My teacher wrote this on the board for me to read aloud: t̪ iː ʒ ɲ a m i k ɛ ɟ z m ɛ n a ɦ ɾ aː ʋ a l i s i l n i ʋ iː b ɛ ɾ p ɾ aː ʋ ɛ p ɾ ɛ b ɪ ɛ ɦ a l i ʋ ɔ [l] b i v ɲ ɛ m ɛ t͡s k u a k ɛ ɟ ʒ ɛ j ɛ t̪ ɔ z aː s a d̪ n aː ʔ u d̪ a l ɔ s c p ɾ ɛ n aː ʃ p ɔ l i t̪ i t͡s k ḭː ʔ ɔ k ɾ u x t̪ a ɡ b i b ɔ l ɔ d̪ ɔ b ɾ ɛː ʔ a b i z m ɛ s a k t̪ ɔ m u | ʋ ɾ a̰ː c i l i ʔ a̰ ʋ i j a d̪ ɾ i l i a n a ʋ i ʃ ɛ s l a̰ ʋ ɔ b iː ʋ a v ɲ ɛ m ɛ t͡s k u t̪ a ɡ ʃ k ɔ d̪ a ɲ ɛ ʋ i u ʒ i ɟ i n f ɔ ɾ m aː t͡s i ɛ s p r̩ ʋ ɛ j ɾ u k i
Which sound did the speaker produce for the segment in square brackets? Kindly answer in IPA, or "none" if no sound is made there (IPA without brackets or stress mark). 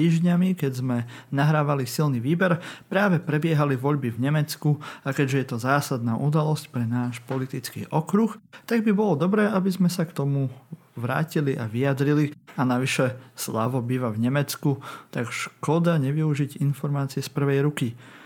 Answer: ʎ